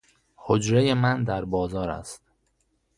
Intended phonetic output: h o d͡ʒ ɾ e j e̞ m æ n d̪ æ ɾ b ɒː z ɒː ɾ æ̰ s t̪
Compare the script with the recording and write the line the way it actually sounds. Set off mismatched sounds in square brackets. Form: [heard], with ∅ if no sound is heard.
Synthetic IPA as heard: h o d͡ʒ ɾ e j e̞ m æ n d̪ æ ɾ b ɒː z ɒː ɾ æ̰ s t̪